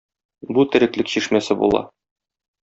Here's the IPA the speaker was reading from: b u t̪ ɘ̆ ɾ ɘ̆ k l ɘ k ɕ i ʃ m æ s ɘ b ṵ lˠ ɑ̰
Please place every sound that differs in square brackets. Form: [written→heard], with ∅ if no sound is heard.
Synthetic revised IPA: b u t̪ ɘ̆ ɾ ɘ̆ k l ɘ k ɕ i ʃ m æ s ɘ b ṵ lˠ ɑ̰